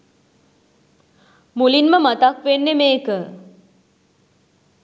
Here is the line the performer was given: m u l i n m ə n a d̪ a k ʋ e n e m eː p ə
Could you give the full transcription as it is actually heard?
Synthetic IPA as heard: m u l i n m ə m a t̪ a k ʋ e nː e m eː k ə